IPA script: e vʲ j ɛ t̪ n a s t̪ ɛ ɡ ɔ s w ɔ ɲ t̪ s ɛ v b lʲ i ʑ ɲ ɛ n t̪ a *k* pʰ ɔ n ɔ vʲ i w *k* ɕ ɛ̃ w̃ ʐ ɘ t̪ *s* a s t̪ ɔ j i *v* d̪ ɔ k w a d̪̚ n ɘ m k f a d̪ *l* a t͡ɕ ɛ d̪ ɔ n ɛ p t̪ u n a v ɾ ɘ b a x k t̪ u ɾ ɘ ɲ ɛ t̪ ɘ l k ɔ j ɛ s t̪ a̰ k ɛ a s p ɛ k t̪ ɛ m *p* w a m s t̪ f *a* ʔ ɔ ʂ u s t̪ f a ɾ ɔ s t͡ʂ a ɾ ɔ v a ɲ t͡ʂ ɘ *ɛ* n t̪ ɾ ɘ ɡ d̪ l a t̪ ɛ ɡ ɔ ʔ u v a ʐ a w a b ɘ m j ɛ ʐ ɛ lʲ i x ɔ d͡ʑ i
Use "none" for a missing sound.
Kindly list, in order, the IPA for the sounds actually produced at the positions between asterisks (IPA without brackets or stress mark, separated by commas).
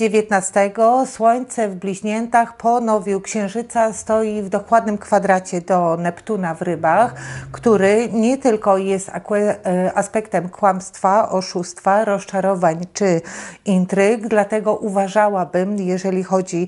x, k, s, v, ɾ, k, a, i